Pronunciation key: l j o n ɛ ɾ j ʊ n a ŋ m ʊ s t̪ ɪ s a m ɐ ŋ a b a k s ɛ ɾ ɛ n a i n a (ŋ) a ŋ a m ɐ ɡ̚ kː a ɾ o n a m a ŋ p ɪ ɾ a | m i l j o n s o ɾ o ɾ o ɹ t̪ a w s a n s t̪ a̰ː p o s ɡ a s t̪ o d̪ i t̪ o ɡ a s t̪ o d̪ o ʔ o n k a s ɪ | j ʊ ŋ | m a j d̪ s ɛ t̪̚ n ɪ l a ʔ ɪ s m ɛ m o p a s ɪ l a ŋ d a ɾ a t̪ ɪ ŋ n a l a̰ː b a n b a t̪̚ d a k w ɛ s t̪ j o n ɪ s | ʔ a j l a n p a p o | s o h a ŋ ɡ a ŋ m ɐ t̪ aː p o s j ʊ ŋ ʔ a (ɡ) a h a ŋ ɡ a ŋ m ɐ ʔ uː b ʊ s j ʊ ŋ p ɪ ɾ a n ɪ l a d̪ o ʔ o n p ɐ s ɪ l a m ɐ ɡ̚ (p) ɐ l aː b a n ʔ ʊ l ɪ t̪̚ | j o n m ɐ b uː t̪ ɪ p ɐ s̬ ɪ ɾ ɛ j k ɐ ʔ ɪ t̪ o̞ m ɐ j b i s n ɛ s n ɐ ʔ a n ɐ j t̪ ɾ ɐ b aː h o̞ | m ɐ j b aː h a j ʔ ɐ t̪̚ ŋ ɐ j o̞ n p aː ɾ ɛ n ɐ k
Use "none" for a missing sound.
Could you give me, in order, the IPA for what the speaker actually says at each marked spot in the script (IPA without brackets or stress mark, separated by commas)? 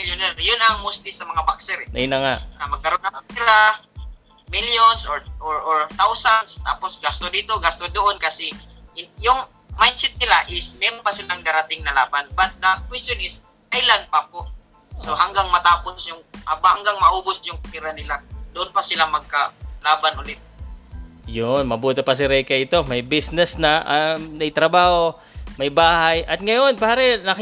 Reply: ŋ, b, k